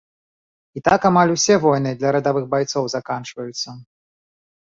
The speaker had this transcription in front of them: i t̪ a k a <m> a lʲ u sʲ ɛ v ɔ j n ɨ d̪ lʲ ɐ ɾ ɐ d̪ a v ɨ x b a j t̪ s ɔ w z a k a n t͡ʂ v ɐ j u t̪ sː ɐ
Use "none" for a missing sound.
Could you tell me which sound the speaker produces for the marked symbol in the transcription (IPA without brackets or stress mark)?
m